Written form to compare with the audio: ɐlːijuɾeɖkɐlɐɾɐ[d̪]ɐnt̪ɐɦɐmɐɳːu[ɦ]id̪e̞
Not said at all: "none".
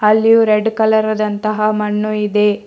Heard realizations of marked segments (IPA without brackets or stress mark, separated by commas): d̪, none